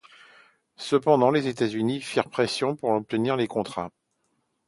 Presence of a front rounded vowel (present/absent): present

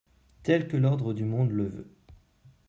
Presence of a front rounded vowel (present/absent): present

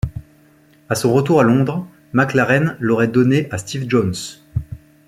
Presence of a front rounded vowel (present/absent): absent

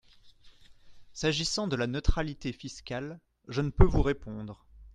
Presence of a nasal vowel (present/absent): present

